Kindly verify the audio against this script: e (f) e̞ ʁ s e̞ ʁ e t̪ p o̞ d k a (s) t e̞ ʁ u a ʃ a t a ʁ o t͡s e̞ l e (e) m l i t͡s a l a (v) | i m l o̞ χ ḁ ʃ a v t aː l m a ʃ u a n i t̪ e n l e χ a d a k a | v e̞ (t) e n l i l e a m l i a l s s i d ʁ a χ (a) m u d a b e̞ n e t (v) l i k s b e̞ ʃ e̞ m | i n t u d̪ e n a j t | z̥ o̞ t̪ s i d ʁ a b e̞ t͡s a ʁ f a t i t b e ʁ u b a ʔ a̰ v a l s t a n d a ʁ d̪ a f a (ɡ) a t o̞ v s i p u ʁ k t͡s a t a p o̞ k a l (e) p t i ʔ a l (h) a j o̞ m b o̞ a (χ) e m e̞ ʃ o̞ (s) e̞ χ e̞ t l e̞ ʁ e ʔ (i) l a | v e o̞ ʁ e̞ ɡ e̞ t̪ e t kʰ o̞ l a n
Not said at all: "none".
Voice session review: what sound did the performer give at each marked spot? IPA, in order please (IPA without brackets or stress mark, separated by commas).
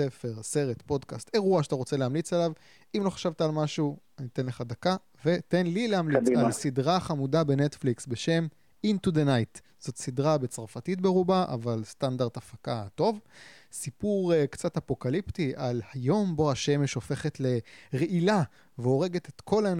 f, s, a, v, t, a, f, k, i, h, ʃ, f, i